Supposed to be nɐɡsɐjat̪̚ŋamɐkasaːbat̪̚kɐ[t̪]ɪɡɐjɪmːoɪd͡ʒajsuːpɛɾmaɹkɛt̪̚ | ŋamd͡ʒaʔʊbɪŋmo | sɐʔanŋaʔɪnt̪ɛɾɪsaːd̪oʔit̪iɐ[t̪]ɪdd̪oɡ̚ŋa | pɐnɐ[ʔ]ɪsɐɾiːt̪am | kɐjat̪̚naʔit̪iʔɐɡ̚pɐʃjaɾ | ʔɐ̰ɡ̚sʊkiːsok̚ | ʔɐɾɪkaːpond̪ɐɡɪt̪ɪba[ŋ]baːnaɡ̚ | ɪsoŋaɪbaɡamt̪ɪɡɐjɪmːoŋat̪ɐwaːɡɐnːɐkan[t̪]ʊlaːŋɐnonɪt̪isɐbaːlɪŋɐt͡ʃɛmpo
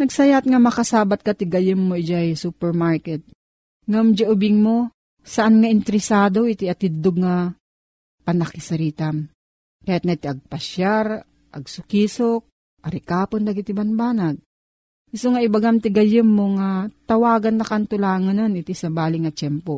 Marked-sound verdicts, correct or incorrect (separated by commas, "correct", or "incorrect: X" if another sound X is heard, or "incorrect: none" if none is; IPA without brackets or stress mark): correct, correct, incorrect: k, incorrect: n, correct